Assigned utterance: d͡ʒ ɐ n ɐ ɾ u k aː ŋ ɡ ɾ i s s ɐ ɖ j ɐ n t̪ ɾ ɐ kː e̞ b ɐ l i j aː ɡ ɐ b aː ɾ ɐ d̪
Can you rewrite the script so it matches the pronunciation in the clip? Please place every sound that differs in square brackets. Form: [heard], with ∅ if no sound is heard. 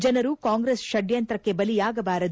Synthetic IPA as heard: d͡ʒ ɐ n ɐ ɾ u k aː ŋ ɡ ɾ [e] s [ʃ] ɐ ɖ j ɐ n t̪ ɾ ɐ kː e̞ b ɐ l i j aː ɡ ɐ b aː ɾ ɐ d̪